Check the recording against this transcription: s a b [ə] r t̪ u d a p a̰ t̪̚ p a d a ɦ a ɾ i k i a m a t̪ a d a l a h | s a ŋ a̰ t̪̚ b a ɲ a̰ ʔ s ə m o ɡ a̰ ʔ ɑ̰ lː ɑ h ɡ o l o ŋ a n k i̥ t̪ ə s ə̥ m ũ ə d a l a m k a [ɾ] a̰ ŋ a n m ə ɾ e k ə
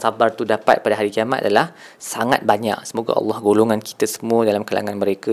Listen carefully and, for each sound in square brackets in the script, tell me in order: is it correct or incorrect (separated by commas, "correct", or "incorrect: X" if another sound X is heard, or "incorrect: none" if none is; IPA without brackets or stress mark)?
incorrect: a, incorrect: l